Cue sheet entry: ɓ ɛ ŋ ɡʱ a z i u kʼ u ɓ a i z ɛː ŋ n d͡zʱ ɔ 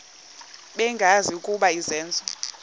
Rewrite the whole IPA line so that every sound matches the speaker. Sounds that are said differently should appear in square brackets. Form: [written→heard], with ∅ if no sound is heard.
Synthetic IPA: ɓ ɛ ŋ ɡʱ a z i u kʼ u ɓ a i z ɛː [ŋ→∅] n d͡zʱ ɔ

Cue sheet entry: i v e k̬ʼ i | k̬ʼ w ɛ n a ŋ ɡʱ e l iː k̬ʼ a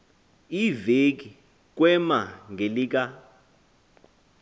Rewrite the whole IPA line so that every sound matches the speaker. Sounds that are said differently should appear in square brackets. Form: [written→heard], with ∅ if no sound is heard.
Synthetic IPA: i v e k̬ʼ i | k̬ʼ w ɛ [n→m] a ŋ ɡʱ e l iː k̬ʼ a

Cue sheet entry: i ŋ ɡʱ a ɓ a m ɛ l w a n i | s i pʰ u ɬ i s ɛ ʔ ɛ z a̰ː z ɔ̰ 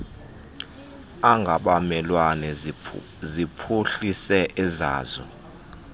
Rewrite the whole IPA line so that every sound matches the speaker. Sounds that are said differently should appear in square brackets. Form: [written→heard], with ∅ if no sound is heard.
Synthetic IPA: [i→a] ŋ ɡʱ a ɓ a m ɛ l w a n [i→ɛ] | [s→z] i pʰ u ɬ i s ɛ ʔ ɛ z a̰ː z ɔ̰

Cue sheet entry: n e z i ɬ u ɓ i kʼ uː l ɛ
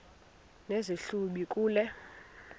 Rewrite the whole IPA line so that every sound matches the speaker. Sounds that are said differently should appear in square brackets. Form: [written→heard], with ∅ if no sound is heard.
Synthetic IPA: n e z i ɬ u ɓ i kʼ uː l ɛ

